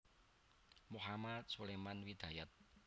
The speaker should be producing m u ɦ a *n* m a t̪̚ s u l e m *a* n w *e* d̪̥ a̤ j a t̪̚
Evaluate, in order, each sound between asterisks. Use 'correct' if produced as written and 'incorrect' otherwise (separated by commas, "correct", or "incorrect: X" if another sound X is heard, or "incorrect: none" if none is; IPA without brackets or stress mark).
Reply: incorrect: none, correct, incorrect: i